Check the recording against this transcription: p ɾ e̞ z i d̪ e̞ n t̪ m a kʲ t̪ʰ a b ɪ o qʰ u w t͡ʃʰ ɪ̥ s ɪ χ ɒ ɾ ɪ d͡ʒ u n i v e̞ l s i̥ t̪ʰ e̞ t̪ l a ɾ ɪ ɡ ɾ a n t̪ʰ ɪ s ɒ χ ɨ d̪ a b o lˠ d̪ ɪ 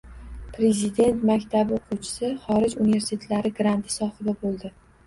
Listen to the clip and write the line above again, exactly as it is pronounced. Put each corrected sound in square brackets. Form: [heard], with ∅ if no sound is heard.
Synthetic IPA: p ɾ e̞ z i d̪ e̞ n t̪ m a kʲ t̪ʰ a b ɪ o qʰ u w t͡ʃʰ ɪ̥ s ɪ χ ɒ ɾ ɪ d͡ʒ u n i v e̞ [ɾ] s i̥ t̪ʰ e̞ t̪ l a ɾ ɪ ɡ ɾ a n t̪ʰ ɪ s ɒ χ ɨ d̪ a b o lˠ d̪ ɪ

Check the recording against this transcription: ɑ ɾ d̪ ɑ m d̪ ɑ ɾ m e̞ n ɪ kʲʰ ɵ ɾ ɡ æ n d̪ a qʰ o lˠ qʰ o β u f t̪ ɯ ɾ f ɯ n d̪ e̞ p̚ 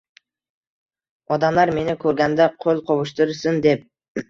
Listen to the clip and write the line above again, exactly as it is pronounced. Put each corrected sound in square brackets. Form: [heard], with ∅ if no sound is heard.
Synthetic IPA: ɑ [∅] d̪ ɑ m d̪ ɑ ɾ m e̞ n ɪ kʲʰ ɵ ɾ ɡ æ n d̪ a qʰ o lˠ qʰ o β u [ʃ] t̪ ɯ ɾ [s] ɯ n d̪ e̞ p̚

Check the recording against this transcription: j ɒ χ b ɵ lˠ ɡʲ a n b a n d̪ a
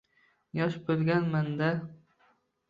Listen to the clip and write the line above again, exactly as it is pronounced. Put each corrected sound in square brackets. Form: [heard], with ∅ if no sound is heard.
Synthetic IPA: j ɒ [ʃ] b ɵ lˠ ɡʲ a n [m] a n d̪ a

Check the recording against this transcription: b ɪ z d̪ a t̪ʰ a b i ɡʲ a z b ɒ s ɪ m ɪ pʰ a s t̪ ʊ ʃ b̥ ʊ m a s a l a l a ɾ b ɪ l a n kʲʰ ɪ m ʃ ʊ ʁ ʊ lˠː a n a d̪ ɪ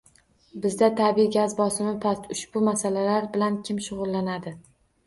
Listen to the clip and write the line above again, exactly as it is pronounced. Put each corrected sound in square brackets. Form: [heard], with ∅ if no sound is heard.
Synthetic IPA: b ɪ z d̪ a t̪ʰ a b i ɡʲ a z b ɒ s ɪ m ɪ pʰ a s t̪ ʊ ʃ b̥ ʊ m a s a l a l a ɾ b ɪ l a n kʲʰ ɪ m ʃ ʊ ʁ ʊ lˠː a n a d̪ ɪ

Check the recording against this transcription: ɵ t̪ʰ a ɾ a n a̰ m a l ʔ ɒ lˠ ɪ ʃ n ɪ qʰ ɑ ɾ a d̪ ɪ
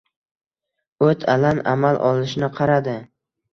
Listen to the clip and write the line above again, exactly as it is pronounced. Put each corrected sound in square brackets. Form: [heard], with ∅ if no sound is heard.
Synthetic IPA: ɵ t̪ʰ a [l] a n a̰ m a l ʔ ɒ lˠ ɪ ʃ n ɪ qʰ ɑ ɾ a d̪ ɪ

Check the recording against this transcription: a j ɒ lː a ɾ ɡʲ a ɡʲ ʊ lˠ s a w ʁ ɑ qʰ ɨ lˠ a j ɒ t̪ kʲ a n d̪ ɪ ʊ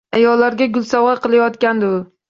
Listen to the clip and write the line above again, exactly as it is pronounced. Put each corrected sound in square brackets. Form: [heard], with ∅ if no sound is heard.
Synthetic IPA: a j ɒ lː a ɾ ɡʲ a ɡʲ ʊ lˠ s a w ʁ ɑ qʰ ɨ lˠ a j ɒ t̪ kʲ a n d̪ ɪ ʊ

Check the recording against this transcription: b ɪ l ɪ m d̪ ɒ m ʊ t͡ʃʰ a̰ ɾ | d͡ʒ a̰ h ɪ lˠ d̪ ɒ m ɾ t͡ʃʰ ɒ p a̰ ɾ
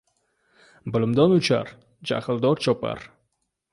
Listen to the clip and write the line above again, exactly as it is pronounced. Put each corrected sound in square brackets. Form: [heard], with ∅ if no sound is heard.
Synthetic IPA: b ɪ l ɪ m d̪ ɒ [n] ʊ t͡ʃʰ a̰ ɾ | d͡ʒ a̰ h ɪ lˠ d̪ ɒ [∅] ɾ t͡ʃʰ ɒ p a̰ ɾ

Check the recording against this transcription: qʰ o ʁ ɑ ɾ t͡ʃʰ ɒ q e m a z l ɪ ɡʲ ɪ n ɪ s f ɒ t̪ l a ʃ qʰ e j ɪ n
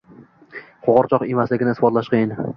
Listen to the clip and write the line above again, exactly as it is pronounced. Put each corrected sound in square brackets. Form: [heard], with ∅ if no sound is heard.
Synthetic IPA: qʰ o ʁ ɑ ɾ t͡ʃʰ ɒ q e m a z l ɪ ɡʲ ɪ n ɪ s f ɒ t̪ l a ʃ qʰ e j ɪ n

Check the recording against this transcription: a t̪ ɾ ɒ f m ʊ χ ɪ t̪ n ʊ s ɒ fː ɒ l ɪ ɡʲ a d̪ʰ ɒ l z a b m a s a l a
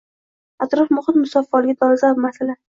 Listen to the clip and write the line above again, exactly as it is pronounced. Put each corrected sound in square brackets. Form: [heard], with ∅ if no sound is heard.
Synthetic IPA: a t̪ ɾ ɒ f m ʊ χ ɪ t̪ [m] ʊ s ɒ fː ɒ l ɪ ɡʲ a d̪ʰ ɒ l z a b m a s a l a

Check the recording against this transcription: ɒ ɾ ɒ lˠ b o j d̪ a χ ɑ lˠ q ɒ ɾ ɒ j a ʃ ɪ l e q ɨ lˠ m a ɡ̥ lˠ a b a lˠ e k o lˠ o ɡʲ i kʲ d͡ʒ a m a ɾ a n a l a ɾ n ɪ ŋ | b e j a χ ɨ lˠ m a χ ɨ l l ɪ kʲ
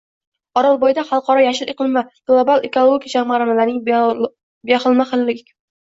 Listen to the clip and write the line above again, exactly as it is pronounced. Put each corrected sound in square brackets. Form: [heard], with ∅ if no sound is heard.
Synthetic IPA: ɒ ɾ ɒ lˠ b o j d̪ a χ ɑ lˠ q ɒ ɾ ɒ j a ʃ ɪ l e q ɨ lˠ m a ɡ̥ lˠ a b a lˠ e k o lˠ o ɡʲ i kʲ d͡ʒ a m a ɾ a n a l a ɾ n ɪ ŋ | b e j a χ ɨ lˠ m a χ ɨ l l ɪ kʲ

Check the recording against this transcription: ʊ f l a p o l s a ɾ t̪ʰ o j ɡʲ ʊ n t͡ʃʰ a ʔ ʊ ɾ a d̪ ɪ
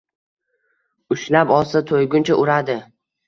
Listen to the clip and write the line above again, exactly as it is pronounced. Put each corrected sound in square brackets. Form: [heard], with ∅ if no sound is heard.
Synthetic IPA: ʊ [ʃ] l a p [ɒ] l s a [∅] t̪ʰ o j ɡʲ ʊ n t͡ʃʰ a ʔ ʊ ɾ a d̪ ɪ

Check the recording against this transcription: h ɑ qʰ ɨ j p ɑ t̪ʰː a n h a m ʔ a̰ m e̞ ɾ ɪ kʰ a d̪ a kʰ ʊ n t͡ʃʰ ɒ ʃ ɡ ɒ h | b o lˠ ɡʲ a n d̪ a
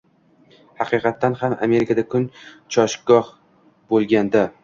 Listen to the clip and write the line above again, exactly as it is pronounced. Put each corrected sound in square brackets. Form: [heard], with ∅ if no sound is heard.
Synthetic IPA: h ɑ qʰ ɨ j [q] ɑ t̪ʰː a n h a m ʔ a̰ m e̞ ɾ ɪ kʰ a d̪ a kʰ ʊ n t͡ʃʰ ɒ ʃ ɡ ɒ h | b o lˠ ɡʲ a n d̪ a

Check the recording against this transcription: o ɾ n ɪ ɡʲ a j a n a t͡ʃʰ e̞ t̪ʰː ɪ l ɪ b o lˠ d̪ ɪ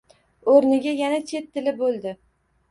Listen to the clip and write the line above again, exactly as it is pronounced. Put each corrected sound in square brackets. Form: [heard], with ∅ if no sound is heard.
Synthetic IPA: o ɾ n ɪ ɡʲ a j a n a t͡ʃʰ e̞ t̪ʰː ɪ l ɪ b o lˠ d̪ ɪ

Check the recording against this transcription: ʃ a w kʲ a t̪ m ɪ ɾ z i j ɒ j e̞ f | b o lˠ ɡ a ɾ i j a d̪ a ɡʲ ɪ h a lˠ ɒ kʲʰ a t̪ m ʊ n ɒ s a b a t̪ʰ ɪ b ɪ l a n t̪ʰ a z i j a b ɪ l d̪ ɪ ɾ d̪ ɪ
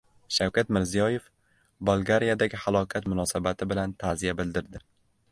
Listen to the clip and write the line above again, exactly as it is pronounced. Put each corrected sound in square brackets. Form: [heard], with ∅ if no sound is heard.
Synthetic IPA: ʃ a w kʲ a t̪ m ɪ ɾ z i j ɒ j e̞ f | b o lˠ ɡ a ɾ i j a d̪ a ɡʲ ɪ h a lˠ ɒ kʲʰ a t̪ m ʊ n ɒ s a b a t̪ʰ ɪ b ɪ l a n t̪ʰ a z i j a b ɪ l d̪ ɪ ɾ d̪ ɪ

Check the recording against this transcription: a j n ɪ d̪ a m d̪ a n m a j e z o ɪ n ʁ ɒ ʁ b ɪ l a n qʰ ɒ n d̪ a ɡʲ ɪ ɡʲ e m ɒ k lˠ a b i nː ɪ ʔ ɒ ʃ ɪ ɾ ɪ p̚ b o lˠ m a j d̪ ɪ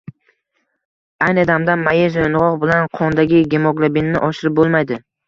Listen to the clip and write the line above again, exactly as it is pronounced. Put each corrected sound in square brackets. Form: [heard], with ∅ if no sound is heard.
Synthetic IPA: a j n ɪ d̪ a m d̪ a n m a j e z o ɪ n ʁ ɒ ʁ b ɪ l a n qʰ ɒ n d̪ a ɡʲ ɪ ɡʲ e m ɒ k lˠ a b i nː ɪ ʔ ɒ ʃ ɪ ɾ ɪ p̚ b o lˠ m a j d̪ ɪ

